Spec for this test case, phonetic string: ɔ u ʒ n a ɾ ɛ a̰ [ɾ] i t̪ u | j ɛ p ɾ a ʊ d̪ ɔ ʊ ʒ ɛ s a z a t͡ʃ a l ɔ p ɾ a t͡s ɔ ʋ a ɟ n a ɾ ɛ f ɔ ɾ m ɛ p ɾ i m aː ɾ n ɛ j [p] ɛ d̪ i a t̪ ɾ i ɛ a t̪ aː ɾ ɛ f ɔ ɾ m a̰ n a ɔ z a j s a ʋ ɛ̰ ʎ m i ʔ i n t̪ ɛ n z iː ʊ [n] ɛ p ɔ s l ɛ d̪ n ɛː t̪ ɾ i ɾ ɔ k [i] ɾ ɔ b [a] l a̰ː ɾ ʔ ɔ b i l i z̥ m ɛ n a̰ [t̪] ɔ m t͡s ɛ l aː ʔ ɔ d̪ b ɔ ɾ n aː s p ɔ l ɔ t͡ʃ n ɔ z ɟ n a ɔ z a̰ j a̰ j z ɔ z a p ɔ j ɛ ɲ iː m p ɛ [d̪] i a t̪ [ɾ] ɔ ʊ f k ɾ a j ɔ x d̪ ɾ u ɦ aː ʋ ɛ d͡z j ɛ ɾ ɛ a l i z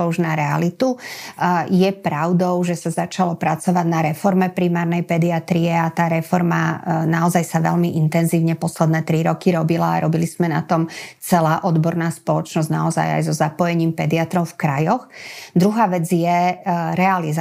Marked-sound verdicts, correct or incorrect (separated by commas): incorrect, correct, incorrect, correct, incorrect, correct, correct, correct